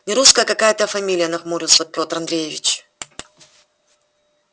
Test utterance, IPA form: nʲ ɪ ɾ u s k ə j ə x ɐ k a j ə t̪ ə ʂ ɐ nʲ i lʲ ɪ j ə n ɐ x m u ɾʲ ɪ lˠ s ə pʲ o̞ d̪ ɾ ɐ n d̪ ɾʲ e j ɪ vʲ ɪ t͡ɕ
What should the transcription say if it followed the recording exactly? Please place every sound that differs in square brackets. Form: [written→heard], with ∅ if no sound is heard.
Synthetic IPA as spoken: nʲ ɪ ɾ u s k ə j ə [x→k] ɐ k a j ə t̪ ə [ʂ→f] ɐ [nʲ→mʲ] i lʲ ɪ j ə n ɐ x m u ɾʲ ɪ lˠ s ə pʲ o̞ [d̪→t̪] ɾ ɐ n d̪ ɾʲ e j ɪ vʲ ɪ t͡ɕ